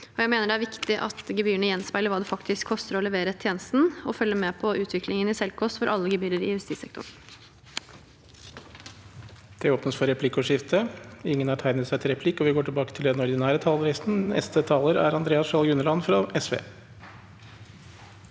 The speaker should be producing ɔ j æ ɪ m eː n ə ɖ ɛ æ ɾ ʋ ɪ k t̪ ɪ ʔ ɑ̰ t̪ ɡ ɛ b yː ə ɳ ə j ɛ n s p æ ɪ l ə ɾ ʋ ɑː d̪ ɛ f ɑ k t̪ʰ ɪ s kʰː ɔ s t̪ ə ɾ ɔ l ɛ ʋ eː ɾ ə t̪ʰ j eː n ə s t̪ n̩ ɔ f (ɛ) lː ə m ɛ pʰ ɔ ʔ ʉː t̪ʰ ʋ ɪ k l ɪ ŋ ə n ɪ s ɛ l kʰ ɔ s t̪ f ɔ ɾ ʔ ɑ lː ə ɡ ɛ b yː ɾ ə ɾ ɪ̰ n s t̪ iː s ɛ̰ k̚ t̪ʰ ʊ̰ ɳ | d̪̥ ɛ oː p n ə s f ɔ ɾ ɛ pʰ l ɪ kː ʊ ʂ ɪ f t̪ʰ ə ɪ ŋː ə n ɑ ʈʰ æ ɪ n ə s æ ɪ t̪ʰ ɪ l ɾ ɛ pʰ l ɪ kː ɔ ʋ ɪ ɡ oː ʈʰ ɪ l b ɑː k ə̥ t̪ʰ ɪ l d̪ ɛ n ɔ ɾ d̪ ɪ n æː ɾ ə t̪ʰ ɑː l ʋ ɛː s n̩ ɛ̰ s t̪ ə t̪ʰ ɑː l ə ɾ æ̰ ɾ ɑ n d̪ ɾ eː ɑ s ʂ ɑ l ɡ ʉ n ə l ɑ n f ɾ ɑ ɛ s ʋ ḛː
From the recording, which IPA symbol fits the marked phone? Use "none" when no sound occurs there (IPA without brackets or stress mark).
œ